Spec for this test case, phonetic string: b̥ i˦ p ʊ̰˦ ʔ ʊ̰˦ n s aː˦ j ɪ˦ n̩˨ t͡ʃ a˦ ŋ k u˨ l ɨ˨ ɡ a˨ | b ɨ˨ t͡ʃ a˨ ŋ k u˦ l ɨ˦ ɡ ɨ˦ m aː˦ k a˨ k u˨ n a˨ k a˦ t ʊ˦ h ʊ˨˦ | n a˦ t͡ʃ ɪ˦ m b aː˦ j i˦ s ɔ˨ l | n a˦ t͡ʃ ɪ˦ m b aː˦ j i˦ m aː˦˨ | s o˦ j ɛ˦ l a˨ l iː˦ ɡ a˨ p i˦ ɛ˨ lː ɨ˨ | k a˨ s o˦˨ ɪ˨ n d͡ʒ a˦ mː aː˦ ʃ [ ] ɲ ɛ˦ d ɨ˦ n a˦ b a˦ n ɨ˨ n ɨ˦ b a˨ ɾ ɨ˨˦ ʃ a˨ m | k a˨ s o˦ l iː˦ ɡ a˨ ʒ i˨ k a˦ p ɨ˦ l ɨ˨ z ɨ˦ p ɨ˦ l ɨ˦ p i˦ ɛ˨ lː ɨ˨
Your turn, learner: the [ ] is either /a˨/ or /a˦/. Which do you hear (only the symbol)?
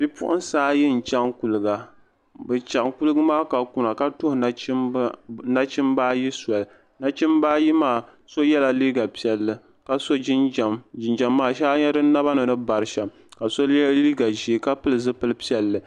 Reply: a˦